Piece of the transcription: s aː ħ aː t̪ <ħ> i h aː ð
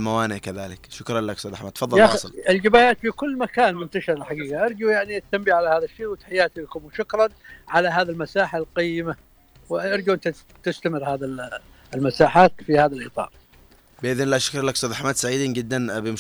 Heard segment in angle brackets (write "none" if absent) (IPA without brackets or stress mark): f